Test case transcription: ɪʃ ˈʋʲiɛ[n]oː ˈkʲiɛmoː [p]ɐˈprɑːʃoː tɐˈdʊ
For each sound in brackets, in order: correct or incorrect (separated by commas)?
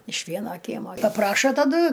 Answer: correct, correct